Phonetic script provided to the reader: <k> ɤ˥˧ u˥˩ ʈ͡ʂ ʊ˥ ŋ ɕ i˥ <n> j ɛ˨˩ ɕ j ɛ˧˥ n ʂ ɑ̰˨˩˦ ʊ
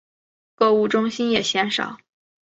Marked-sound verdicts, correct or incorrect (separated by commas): correct, correct